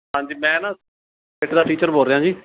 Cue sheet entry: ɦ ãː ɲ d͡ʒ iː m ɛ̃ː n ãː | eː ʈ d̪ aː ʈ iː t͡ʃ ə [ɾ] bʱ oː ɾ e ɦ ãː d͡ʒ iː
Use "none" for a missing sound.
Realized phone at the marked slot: ɾ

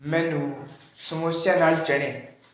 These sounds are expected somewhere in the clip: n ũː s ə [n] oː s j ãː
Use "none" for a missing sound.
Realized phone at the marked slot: m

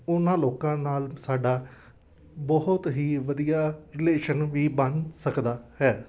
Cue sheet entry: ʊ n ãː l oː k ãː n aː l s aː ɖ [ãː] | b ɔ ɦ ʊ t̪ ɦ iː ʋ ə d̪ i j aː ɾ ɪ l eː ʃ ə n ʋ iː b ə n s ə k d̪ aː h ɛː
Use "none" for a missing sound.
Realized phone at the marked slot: aː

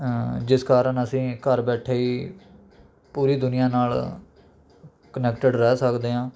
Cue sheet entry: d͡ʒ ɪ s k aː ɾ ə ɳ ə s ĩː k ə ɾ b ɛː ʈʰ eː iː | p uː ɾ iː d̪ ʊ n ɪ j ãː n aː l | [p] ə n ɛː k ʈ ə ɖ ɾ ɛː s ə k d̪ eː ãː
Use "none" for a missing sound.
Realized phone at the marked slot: k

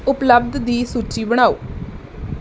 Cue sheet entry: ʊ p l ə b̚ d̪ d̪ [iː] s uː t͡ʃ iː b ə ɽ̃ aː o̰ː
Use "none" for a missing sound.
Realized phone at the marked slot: iː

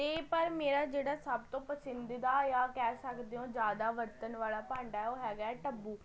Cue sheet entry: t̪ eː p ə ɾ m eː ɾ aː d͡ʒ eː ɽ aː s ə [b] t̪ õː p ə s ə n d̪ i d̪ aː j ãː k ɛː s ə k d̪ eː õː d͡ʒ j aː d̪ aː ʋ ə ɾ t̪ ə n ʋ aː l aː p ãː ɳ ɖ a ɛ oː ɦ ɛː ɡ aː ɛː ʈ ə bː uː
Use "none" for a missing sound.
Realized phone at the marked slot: b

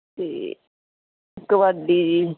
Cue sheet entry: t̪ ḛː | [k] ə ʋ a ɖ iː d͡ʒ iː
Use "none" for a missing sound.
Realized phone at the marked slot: k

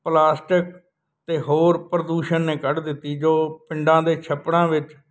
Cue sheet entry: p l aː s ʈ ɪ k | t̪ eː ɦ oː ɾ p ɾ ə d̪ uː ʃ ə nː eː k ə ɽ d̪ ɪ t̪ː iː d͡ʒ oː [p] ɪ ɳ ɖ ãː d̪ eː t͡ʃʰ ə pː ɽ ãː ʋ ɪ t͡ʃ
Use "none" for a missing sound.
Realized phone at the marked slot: p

